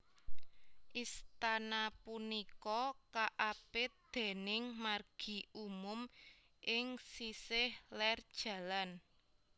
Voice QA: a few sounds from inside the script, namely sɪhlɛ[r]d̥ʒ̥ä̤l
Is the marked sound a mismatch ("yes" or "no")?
no